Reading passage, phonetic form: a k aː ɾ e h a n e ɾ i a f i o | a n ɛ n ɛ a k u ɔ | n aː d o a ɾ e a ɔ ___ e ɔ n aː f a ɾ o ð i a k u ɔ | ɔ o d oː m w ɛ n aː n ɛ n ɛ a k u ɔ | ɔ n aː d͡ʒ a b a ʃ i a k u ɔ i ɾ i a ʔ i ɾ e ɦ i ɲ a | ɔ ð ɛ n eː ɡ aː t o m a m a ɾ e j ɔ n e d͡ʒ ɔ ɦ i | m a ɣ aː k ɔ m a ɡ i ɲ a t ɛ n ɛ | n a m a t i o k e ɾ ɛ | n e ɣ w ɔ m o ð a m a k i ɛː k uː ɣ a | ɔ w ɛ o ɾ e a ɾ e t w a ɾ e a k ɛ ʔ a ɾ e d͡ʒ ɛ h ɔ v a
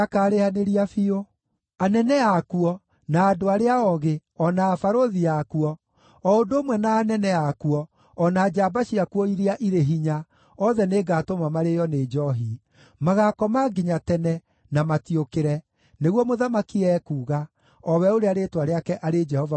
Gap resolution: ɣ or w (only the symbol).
ɣ